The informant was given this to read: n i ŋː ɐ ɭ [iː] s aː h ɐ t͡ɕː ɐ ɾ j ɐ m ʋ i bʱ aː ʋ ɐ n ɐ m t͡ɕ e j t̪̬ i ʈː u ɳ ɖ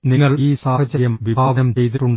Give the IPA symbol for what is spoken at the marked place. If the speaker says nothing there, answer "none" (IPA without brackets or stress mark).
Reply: iː